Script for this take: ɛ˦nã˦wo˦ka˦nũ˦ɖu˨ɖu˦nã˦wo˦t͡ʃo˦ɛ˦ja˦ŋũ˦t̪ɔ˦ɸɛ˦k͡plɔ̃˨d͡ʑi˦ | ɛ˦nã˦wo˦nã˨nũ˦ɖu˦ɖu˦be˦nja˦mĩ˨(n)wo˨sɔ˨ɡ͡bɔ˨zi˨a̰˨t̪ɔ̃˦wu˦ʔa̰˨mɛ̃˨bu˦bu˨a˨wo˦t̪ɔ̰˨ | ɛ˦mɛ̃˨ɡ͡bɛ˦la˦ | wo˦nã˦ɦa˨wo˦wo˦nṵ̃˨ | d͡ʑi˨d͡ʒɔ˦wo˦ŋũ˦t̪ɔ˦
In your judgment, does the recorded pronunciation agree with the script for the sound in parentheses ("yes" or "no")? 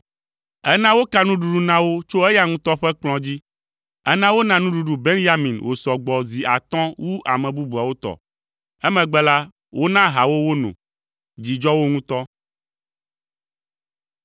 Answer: yes